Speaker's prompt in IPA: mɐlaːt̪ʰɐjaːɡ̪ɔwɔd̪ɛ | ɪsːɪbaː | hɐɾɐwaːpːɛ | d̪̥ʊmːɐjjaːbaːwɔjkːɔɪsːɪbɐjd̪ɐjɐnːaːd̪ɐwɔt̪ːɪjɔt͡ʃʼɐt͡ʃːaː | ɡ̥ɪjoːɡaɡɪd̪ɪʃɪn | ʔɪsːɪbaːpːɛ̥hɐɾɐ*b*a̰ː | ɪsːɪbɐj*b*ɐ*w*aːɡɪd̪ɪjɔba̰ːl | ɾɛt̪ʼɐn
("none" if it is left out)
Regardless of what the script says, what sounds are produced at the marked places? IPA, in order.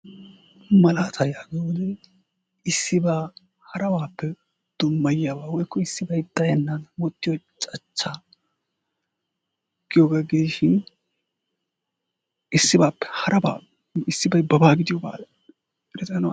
b, b, b

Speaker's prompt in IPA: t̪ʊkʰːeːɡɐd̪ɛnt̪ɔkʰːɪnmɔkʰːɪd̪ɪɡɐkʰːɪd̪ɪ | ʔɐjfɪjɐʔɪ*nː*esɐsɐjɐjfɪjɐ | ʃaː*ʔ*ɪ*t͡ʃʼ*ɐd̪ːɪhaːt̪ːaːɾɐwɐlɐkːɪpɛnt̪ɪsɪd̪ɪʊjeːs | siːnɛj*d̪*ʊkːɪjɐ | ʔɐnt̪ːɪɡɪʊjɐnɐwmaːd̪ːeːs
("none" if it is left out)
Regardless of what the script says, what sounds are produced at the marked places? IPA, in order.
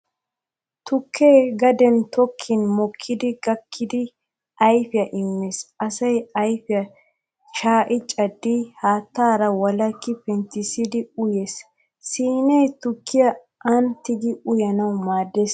mː, ʔ, t͡ʃʼ, t̪

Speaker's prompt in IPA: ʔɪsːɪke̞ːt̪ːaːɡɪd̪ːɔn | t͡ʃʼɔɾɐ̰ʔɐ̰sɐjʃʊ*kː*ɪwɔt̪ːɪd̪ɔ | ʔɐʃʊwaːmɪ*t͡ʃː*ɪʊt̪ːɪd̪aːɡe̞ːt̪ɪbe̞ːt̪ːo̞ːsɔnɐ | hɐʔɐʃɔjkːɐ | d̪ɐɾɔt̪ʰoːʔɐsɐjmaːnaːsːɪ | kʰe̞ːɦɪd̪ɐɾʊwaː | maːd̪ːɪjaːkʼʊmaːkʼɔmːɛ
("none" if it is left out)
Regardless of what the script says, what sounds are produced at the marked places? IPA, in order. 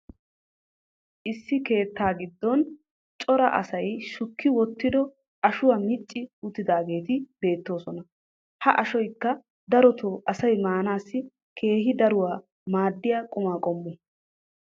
kː, t͡ʃʼː

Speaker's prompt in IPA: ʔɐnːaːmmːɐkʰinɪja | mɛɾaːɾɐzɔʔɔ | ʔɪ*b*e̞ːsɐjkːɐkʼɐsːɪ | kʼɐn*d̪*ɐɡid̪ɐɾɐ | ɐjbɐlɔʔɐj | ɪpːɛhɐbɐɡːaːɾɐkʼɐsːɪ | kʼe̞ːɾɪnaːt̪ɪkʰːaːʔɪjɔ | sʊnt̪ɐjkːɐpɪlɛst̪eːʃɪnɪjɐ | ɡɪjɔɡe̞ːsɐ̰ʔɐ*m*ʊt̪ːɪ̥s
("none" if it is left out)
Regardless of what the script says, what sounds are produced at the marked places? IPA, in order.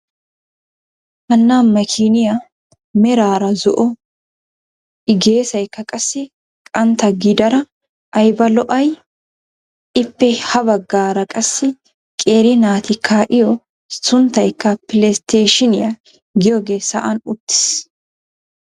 ɡ, t̪, n

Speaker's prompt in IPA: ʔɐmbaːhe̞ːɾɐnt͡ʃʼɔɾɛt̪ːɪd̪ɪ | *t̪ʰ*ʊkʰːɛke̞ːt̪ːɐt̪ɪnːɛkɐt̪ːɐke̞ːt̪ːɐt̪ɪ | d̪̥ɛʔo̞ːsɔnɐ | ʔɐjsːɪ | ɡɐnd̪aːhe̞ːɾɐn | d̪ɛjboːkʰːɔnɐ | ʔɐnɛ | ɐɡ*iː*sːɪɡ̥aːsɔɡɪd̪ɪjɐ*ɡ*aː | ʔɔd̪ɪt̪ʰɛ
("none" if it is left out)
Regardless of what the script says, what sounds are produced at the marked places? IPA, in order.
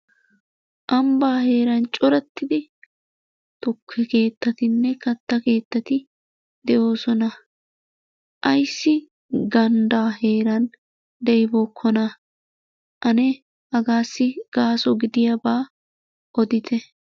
t̪, aː, b

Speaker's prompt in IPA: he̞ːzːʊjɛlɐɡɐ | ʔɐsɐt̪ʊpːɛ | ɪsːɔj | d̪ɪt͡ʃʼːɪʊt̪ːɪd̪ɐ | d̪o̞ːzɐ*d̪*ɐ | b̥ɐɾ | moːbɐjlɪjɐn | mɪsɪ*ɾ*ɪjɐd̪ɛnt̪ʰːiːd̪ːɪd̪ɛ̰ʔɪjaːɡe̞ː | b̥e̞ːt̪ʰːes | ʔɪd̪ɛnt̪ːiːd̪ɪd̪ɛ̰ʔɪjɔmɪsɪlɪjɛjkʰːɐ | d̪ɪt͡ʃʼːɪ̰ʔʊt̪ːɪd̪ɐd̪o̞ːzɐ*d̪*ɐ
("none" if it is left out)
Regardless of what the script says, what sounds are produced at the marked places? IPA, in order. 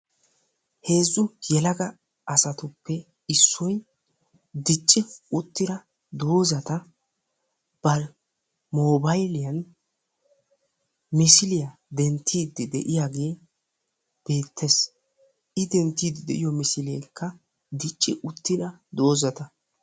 t̪, l, t̪

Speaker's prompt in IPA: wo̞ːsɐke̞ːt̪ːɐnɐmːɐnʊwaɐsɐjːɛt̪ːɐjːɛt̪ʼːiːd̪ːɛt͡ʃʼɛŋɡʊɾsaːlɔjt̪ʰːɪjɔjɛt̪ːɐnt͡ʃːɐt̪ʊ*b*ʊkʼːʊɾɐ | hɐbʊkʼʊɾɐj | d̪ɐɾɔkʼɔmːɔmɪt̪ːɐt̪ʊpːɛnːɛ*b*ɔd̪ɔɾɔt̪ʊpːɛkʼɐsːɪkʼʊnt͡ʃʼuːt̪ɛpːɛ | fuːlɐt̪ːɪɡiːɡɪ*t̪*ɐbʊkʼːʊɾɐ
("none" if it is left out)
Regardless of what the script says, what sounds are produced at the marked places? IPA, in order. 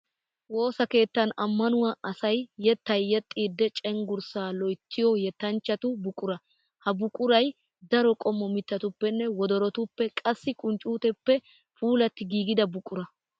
b, w, d̪

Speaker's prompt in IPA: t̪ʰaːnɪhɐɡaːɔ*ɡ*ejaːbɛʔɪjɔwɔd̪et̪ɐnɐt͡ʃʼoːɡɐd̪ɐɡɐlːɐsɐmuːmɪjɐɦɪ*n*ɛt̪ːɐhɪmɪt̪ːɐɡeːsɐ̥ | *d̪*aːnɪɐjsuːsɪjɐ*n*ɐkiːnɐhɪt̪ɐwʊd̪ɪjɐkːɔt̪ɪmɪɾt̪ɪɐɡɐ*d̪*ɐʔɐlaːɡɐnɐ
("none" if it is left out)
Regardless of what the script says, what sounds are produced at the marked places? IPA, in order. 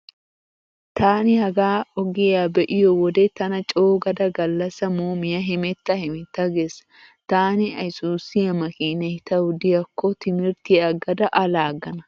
ɡ, m, t̪, m, d̪

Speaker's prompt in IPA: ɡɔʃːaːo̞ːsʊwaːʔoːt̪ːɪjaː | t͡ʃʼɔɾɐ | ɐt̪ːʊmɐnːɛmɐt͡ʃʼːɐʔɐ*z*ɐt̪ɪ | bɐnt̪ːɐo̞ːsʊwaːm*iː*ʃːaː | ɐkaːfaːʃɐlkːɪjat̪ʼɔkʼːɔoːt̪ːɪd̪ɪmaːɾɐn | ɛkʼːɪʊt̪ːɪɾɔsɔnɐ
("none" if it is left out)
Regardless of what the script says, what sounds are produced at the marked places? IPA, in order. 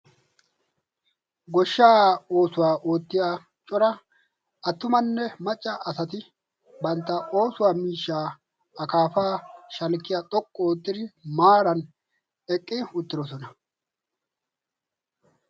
s, iː

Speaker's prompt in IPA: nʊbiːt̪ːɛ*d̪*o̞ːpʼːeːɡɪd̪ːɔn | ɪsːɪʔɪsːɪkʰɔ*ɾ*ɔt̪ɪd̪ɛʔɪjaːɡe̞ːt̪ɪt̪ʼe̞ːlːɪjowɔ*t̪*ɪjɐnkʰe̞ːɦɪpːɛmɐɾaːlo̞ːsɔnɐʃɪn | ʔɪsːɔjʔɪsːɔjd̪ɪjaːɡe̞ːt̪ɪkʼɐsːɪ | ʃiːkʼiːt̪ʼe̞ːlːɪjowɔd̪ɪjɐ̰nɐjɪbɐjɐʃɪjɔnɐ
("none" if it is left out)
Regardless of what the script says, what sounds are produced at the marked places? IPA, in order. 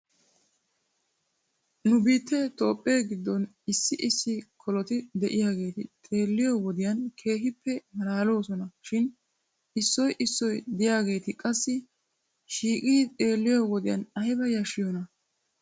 t̪, l, d̪

